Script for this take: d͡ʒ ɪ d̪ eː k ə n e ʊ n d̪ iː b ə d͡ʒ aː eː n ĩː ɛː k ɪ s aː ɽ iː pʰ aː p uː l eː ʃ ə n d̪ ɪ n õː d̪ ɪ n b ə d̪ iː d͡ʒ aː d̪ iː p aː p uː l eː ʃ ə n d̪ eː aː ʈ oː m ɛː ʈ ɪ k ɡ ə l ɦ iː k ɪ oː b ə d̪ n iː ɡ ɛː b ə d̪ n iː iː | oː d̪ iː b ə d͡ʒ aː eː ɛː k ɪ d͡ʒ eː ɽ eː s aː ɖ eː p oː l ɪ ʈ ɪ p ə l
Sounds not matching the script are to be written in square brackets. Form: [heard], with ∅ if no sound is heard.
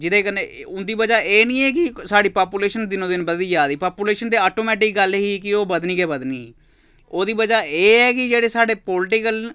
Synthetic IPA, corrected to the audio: d͡ʒ ɪ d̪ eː k ə n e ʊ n d̪ iː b ə d͡ʒ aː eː n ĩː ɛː k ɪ s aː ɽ iː [p] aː p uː l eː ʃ ə n d̪ ɪ n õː d̪ ɪ n b ə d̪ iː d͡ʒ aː d̪ iː p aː p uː l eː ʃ ə n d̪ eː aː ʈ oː m ɛː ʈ ɪ k ɡ ə l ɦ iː k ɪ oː b ə d̪ n iː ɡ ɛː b ə d̪ n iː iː | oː d̪ iː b ə d͡ʒ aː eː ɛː k ɪ d͡ʒ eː ɽ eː s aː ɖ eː p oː l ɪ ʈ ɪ [k] ə l